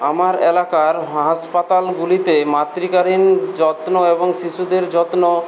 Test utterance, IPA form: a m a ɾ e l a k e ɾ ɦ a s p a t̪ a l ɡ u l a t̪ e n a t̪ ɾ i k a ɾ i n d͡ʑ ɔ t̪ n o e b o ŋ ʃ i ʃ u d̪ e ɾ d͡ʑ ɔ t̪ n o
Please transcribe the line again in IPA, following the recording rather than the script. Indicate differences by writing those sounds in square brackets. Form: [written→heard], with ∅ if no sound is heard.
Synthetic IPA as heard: a m a ɾ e l a k [e→a] ɾ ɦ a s p a t̪ a l ɡ u l [a→i] t̪ e [n→m] a t̪ ɾ i k a ɾ i n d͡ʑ ɔ t̪ n o e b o ŋ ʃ i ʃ u d̪ e ɾ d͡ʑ ɔ t̪ n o